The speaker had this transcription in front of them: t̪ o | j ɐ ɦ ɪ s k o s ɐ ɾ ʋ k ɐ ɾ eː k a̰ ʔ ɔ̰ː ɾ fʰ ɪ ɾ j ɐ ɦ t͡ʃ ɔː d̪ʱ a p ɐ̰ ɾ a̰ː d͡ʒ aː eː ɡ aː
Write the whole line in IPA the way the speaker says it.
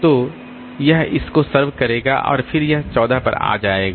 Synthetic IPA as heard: t̪ o | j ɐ ɦ ɪ s k o s ɐ ɾ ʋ k ɐ ɾ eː ɡ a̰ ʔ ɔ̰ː ɾ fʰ ɪ ɾ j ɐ ɦ t͡ʃ ɔː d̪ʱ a p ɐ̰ ɾ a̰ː d͡ʒ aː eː ɡ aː